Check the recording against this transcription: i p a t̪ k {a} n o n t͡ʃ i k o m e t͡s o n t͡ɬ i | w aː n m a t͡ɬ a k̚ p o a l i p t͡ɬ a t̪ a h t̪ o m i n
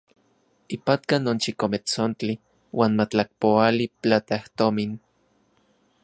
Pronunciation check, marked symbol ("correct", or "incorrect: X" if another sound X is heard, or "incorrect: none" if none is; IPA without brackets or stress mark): correct